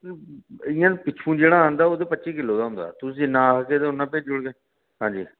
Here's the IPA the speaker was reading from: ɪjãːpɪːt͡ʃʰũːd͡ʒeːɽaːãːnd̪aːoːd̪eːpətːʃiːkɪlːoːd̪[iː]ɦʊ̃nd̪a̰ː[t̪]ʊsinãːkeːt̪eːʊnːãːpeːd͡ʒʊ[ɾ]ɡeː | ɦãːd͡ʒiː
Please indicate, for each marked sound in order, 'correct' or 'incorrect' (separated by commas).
incorrect, correct, incorrect